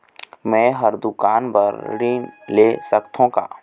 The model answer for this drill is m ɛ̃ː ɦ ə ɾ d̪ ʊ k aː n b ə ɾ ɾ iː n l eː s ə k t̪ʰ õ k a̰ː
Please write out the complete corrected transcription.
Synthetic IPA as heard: m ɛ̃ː ɦ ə ɾ d̪ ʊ k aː n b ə ɾ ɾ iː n l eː s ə k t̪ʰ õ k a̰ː